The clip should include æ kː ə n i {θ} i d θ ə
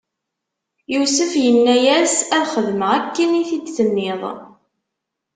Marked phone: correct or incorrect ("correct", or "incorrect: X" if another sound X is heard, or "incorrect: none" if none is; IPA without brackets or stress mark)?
correct